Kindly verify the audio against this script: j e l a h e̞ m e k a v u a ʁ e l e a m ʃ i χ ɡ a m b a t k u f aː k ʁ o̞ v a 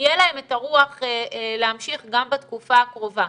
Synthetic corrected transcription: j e l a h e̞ m e t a ʁ u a χ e l e a m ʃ i χ ɡ a m b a t k u f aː k ʁ o̞ v a